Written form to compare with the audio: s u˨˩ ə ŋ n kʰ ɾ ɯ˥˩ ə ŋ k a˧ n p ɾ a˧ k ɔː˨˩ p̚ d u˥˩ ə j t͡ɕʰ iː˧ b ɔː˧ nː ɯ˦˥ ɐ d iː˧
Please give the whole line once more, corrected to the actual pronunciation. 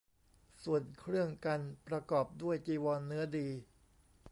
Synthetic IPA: s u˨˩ ə n kʰ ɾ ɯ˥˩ ə ŋ k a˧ n p ɾ a˧ k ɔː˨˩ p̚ d u˥˩ ə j t͡ɕ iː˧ w ɔː˧ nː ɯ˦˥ ɐ d iː˧